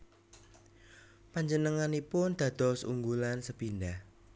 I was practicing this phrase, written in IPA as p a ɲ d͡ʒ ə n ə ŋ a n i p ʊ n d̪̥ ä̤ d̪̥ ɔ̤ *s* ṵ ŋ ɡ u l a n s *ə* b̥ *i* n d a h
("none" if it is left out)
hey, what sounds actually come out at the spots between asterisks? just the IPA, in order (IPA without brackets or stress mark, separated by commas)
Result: s, ə, i